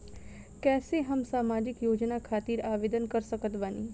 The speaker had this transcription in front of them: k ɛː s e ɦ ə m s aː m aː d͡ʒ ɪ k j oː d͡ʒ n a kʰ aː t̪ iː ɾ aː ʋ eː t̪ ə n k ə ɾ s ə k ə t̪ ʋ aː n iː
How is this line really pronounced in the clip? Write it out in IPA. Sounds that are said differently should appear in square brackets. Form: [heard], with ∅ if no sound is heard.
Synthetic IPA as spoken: k ɛː s e ɦ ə m s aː m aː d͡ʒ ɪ k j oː d͡ʒ n a kʰ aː t̪ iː ɾ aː ʋ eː [d̪] ə n k ə ɾ s ə k ə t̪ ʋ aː n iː